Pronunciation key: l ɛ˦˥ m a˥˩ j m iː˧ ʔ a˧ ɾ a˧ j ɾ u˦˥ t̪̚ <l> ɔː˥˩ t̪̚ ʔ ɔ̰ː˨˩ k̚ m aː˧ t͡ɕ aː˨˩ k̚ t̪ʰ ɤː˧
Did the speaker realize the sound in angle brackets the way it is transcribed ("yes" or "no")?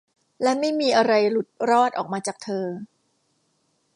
no